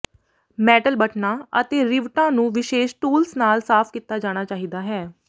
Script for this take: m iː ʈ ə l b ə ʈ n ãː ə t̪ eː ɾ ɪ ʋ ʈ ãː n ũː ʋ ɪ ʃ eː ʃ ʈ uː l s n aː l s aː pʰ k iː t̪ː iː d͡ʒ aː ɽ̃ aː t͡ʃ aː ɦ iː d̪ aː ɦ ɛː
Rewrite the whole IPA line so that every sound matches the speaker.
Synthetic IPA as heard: m ɛː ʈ ə l b ə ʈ n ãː ə t̪ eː ɾ ɪ ʋ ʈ ãː n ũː ʋ ɪ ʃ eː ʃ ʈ uː l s n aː l s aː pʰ k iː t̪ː aː d͡ʒ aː ɽ̃ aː t͡ʃ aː ɦ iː d̪ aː ɦ ɛː